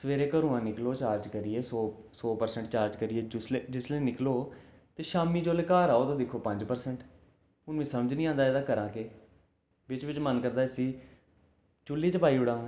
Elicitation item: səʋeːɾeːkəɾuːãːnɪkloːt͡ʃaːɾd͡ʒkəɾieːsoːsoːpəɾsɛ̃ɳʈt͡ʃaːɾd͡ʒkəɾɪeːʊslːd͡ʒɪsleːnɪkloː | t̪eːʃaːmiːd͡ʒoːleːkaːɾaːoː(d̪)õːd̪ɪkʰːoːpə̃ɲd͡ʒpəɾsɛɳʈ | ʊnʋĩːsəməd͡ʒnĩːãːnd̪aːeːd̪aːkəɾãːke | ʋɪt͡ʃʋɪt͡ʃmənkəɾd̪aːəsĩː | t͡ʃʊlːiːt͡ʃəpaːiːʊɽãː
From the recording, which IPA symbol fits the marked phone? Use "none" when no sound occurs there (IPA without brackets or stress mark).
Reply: t̪